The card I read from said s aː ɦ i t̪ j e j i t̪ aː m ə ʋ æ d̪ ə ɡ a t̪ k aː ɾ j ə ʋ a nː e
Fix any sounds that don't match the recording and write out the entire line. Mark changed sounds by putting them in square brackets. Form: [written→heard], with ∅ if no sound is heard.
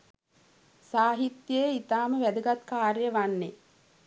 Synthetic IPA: s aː ɦ i t̪ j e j i t̪ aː m ə ʋ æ d̪ ə ɡ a t̪ k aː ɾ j ə ʋ a nː e